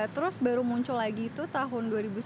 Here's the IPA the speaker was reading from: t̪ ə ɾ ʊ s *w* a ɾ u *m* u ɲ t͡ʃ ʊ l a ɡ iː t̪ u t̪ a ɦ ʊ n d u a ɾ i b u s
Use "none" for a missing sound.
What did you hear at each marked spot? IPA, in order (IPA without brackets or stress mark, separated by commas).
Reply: b, m